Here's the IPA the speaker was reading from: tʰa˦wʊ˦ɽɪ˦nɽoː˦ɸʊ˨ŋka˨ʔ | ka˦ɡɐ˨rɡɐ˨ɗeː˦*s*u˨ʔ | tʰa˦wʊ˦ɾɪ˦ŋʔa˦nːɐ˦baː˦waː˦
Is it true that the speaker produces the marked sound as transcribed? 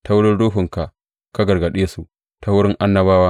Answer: yes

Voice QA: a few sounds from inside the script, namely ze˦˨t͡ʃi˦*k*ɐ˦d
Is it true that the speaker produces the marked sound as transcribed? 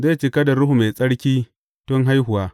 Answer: yes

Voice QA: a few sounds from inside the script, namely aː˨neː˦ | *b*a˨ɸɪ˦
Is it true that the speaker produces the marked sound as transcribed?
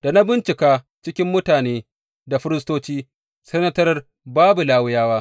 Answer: no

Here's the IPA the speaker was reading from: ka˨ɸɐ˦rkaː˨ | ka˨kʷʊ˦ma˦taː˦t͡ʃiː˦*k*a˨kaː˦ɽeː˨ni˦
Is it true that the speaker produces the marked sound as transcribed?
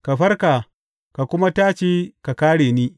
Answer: yes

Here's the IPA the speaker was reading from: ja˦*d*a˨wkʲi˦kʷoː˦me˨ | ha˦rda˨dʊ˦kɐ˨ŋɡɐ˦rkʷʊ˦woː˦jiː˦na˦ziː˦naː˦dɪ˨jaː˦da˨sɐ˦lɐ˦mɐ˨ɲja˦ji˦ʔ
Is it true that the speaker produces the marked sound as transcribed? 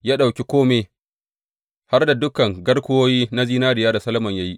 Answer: no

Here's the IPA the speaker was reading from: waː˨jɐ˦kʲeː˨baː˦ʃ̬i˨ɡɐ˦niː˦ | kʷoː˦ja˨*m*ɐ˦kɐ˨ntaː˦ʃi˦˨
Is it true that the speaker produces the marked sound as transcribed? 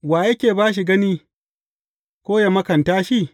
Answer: yes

